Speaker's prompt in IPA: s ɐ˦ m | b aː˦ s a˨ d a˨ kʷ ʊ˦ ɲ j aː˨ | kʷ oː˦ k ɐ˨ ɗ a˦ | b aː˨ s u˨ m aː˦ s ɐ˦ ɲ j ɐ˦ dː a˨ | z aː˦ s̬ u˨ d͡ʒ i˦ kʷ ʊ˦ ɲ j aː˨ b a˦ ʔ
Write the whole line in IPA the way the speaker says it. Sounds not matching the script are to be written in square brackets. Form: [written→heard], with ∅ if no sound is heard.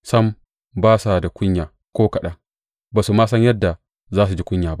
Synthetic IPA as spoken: s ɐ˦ m | b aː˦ s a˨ d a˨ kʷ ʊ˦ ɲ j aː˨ | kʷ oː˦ k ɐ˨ ɗ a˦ | b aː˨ s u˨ m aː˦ s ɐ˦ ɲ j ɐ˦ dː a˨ | z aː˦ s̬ u˨ d͡ʒ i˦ kʷ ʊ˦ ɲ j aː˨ b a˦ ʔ